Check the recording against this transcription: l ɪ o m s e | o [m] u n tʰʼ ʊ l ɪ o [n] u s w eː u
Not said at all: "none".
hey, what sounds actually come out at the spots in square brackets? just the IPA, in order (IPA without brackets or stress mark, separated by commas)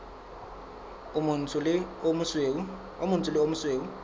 m, m